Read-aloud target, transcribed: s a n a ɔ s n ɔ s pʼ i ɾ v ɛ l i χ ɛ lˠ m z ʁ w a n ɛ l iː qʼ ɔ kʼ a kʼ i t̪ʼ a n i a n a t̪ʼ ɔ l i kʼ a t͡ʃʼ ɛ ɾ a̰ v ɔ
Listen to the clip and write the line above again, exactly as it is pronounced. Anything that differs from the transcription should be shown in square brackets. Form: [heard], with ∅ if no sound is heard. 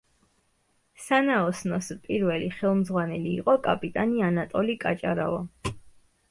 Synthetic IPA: s a n a ɔ s n ɔ s pʼ i ɾ v ɛ l i χ ɛ lˠ m z ʁ w a n ɛ l iː qʼ ɔ kʼ a [pʼ] i t̪ʼ a n i a n a t̪ʼ ɔ l i kʼ a t͡ʃʼ [a] ɾ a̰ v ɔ